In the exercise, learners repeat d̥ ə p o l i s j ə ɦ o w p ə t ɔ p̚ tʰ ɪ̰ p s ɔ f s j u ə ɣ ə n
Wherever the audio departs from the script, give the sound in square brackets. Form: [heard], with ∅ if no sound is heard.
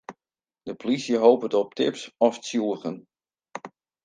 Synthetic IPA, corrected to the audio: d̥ ə p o l i s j ə ɦ o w p ə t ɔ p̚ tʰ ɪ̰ p s ɔ f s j u ə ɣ ə n